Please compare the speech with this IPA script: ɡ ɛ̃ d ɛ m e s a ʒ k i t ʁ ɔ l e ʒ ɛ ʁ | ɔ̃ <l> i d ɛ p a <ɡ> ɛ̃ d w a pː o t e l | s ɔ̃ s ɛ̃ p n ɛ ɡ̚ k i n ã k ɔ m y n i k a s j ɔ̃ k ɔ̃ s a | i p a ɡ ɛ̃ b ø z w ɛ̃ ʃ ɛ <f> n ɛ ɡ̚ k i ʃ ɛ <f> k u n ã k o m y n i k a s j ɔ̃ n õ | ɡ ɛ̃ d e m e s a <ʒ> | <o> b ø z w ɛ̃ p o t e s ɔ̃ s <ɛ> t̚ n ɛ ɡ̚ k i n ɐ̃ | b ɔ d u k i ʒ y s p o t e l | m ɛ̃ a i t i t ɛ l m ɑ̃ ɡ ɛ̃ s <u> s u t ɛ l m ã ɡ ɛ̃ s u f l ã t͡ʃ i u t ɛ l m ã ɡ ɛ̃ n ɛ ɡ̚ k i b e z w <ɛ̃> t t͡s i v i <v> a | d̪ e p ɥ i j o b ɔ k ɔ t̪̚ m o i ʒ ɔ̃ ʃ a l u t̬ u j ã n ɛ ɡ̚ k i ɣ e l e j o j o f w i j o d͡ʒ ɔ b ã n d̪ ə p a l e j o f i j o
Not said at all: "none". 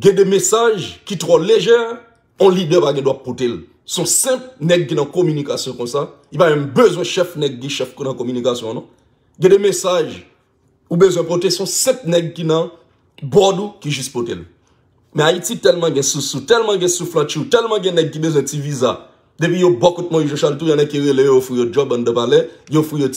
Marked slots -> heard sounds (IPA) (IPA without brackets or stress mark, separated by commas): l, ɡ, f, f, ʒ, u, ɛ̃, u, ɛ̃, z